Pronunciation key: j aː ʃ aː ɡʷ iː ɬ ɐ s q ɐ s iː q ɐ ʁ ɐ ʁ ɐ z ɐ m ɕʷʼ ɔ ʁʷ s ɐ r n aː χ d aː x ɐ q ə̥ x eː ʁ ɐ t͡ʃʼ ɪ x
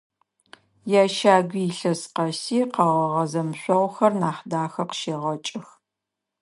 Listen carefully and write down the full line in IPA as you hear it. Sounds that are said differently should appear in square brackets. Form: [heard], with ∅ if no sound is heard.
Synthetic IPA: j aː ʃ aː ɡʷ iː ɬ ɐ s q ɐ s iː q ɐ ʁ ɐ ʁ ɐ z ɐ m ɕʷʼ ɔ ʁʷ [x] ɐ r n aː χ d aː x ɐ q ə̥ [ʃ] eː ʁ ɐ t͡ʃʼ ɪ x

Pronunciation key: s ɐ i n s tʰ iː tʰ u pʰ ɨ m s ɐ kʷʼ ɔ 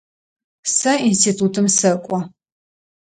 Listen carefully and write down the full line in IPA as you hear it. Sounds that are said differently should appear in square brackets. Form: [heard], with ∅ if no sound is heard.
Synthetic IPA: s ɐ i n s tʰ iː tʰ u [tʰ] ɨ m s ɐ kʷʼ ɔ

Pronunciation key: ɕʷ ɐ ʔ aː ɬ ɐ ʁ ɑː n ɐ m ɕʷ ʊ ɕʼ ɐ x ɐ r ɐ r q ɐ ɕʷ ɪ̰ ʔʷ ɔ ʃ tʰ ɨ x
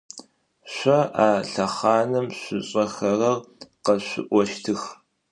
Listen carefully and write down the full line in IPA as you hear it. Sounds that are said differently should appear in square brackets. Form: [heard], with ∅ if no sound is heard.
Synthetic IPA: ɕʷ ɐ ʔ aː ɬ ɐ [χ] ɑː n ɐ m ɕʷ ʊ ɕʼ ɐ x ɐ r ɐ r q ɐ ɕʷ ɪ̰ ʔʷ ɔ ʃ tʰ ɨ x

